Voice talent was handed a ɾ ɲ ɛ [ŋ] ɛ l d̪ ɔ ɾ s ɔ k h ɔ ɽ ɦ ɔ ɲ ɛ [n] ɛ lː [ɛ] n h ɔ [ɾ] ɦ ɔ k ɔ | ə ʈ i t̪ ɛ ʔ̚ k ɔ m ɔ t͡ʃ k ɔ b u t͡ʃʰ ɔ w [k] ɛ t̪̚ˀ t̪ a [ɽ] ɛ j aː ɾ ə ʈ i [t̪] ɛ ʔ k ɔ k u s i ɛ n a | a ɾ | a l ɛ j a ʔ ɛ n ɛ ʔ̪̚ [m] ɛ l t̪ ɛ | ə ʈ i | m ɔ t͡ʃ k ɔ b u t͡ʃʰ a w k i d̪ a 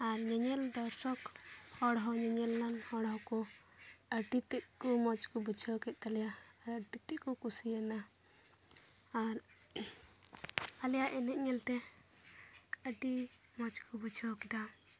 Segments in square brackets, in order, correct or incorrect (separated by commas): incorrect, incorrect, incorrect, incorrect, correct, incorrect, correct, incorrect